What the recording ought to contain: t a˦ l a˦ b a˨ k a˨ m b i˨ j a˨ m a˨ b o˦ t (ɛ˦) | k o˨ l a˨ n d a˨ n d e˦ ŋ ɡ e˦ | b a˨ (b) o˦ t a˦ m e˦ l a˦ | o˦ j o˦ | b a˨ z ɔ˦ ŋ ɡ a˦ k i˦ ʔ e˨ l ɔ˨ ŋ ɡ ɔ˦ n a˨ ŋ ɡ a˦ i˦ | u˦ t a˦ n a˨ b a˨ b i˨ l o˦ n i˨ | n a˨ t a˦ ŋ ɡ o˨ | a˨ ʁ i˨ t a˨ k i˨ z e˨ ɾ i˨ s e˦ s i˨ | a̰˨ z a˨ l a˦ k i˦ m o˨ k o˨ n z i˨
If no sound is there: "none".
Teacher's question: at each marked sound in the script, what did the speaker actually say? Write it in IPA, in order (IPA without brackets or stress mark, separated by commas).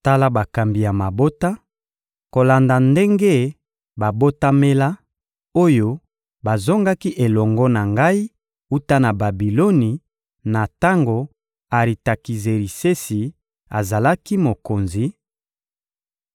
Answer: a˦, b